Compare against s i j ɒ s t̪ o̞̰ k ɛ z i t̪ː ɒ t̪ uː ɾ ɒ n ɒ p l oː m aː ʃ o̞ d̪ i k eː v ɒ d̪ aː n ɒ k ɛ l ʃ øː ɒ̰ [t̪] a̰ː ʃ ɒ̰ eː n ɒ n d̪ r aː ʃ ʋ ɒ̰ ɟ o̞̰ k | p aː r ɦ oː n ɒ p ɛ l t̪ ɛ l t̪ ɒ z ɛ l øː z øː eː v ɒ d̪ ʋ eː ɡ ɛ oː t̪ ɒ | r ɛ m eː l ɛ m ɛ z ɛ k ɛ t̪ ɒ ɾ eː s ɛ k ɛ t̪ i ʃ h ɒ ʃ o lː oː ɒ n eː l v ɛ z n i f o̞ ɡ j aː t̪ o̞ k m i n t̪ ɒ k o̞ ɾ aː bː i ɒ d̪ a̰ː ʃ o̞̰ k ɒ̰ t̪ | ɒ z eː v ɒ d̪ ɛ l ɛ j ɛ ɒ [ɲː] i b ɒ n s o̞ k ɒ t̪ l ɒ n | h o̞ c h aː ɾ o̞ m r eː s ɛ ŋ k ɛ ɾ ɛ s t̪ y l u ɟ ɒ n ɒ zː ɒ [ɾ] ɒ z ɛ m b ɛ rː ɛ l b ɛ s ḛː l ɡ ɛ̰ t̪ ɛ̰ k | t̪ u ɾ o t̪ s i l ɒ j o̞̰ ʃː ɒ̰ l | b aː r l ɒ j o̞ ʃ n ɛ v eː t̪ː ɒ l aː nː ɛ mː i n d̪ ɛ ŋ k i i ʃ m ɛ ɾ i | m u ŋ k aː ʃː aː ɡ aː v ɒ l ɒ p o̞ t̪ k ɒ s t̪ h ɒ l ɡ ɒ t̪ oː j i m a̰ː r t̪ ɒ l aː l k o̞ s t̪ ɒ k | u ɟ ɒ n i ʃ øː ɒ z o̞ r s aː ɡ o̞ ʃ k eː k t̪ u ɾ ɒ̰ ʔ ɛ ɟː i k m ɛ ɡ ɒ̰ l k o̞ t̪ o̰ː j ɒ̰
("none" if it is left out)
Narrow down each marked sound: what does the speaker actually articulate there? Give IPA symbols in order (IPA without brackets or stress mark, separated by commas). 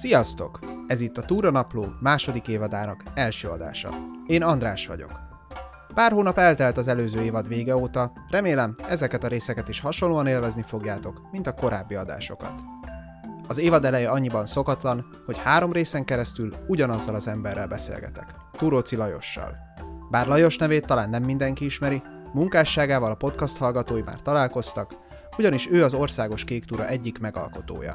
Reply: d̪, ɲː, l